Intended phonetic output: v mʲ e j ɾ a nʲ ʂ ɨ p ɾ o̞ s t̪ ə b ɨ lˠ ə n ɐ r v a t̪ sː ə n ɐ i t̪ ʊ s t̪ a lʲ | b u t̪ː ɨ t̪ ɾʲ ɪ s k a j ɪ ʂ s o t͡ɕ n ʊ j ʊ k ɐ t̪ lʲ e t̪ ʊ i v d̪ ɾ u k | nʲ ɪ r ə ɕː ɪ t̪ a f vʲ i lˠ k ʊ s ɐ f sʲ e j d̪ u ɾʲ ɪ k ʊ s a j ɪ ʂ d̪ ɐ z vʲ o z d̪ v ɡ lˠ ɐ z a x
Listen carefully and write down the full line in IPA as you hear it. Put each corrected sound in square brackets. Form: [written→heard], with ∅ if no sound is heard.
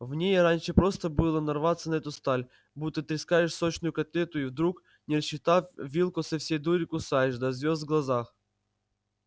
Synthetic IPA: v [mʲ→nʲ] e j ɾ a nʲ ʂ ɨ p ɾ o̞ s t̪ ə b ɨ lˠ ə n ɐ r v a t̪ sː ə n ɐ [i→ɛ] t̪ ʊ s t̪ a lʲ | b u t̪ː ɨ t̪ ɾʲ ɪ s k a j ɪ ʂ s o t͡ɕ n ʊ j ʊ k ɐ t̪ lʲ e t̪ ʊ i v d̪ ɾ u k | nʲ ɪ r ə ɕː ɪ t̪ a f vʲ i lˠ k ʊ s ɐ f sʲ e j d̪ u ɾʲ ɪ k ʊ s a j ɪ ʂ d̪ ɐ z vʲ o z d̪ v ɡ lˠ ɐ z a x